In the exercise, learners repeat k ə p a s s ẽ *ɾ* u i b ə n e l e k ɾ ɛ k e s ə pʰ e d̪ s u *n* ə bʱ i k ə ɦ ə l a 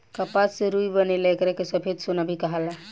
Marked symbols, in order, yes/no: yes, yes

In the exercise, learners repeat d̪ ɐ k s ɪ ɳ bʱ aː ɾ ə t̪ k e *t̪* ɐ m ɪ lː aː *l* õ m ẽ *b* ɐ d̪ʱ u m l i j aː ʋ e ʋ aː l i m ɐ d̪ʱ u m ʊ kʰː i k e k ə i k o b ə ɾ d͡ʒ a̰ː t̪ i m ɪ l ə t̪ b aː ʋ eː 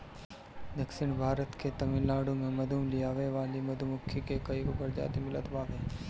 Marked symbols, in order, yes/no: yes, no, no

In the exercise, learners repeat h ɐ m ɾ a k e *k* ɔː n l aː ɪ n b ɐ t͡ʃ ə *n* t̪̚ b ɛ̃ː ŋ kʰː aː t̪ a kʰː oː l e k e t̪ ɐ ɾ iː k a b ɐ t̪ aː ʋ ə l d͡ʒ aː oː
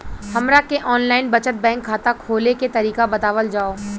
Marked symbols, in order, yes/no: no, no

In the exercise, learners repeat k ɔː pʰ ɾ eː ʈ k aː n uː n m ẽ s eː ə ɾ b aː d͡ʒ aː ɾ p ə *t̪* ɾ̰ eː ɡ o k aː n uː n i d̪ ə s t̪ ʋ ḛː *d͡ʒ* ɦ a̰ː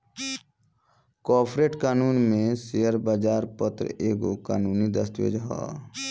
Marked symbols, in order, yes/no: yes, yes

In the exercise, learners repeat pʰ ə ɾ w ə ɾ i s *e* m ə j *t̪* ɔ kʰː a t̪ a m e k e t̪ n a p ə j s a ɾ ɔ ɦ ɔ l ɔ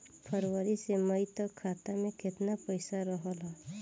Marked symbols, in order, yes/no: yes, yes

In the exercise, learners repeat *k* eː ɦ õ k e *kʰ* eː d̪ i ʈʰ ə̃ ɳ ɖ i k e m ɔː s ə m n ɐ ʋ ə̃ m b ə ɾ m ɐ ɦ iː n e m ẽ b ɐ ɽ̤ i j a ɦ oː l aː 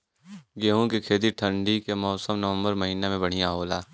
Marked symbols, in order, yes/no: no, yes

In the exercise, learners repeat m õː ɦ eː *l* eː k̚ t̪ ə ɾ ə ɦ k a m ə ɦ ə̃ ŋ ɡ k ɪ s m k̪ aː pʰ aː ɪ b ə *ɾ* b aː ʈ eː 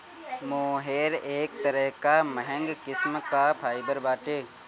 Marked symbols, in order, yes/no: no, yes

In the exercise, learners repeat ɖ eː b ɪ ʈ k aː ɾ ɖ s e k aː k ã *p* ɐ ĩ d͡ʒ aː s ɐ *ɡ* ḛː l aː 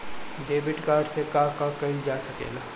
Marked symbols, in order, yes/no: no, no

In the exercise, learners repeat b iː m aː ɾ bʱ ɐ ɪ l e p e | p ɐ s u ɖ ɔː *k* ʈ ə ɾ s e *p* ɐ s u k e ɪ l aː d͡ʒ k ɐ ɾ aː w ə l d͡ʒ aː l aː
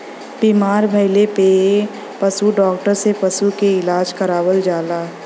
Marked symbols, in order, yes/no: yes, yes

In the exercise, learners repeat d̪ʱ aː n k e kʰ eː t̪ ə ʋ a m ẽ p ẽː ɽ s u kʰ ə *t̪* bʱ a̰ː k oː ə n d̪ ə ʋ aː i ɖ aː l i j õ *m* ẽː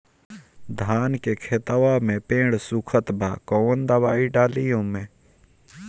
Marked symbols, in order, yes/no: yes, yes

